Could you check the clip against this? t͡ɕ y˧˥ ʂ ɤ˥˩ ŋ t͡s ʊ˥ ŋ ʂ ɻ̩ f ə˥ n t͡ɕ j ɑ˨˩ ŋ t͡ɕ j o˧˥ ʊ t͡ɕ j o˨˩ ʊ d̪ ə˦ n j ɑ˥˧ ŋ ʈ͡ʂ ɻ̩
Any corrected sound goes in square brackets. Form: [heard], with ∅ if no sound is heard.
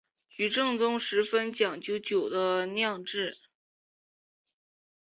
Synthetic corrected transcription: t͡ɕ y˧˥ [ʈ͡ʂ] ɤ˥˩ ŋ t͡s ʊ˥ ŋ ʂ ɻ̩ f ə˥ n t͡ɕ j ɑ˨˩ ŋ t͡ɕ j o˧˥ ʊ t͡ɕ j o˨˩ ʊ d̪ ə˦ n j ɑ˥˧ ŋ ʈ͡ʂ ɻ̩